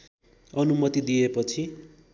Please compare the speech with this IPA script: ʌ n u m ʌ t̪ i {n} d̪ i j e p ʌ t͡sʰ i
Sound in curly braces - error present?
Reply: yes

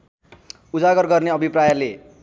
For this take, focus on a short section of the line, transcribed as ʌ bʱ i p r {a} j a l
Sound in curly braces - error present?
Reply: no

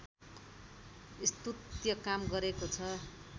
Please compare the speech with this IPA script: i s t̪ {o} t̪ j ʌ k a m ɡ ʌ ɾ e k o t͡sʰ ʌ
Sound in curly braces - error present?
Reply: yes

